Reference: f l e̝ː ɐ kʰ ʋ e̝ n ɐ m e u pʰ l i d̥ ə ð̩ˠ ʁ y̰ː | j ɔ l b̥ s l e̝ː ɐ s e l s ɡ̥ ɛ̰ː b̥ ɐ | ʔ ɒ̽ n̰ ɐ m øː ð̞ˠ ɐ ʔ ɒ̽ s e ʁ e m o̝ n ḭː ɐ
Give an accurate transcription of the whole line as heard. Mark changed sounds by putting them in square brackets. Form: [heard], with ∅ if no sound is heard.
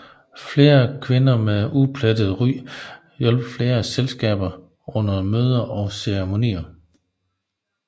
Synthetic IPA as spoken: f l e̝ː ɐ kʰ ʋ e̝ n ɐ m e u pʰ l [æ] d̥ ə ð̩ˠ ʁ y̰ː | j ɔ l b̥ [f] l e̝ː ɐ s e l s ɡ̥ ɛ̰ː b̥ ɐ | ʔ [ɔ̽] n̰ ɐ m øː ð̞ˠ ɐ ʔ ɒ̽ s e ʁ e m o̝ n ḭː ɐ

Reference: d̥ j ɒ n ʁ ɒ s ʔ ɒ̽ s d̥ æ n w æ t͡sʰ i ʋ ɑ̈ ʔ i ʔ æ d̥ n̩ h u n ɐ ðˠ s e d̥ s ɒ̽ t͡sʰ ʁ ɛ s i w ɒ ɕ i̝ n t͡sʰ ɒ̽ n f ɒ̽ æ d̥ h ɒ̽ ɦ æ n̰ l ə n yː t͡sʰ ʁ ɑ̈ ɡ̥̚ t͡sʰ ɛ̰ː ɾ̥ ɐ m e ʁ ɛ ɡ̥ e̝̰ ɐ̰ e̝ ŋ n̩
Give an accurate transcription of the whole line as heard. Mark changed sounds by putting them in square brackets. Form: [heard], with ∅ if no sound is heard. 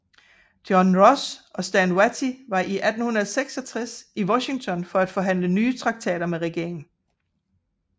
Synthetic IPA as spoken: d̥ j ɒ n ʁ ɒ s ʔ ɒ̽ s d̥ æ n w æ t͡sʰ i ʋ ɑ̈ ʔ i ʔ æ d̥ n̩ h u n ɐ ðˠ s e [ɡ̥] s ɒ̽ t͡sʰ ʁ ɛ s i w ɒ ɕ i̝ [ŋ] t͡sʰ ɒ̽ n f ɒ̽ æ d̥ [f] ɒ̽ ɦ æ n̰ l ə n yː t͡sʰ ʁ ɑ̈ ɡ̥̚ t͡sʰ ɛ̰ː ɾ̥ ɐ m e ʁ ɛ ɡ̥ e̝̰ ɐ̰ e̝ ŋ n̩

